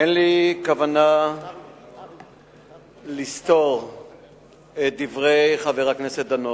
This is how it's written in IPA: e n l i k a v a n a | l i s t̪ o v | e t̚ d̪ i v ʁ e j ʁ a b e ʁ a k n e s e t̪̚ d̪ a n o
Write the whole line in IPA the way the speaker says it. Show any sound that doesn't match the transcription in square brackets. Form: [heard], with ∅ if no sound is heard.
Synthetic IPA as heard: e n l i k a v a n a | l i s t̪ o [ʁ] | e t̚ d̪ i v ʁ e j [χ] a [v] e ʁ a k n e s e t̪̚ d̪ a n o